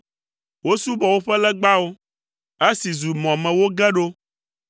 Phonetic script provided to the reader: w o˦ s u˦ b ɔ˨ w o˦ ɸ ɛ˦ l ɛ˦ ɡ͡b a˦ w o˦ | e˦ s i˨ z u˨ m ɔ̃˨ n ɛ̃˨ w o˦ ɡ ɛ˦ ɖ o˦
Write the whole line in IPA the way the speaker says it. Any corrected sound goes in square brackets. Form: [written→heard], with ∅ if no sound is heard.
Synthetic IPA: w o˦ s u˦ b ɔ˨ w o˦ ɸ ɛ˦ l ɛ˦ ɡ͡b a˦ w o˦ | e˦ s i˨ z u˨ m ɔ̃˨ [n→m] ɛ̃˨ w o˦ ɡ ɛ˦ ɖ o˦

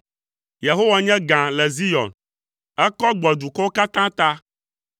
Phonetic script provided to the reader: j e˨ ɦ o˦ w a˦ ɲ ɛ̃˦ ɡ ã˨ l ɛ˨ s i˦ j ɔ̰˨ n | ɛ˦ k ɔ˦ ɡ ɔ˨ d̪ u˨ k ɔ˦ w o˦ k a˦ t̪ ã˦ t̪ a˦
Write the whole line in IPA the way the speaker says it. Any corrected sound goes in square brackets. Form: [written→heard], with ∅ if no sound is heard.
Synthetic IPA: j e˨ ɦ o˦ w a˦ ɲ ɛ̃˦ ɡ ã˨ l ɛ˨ [s→z] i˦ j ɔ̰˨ n | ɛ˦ k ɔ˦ [ɡ→ɡ͡b] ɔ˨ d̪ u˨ k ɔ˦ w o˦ k a˦ t̪ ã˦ t̪ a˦

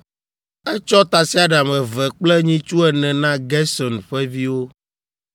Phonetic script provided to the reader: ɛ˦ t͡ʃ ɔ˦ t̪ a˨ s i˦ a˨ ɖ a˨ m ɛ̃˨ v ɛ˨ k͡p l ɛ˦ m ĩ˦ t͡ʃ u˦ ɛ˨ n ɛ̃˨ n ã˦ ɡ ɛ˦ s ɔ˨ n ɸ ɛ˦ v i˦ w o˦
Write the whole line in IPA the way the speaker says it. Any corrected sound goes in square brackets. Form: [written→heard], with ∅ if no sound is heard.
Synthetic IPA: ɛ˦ t͡ʃ ɔ˦ t̪ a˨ s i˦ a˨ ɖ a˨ m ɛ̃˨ v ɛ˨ k͡p l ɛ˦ [m→ɲ] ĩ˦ t͡ʃ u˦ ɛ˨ n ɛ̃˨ n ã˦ ɡ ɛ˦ s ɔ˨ n ɸ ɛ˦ v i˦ w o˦

